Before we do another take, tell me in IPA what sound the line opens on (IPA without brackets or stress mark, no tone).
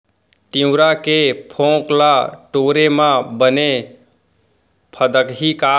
t̪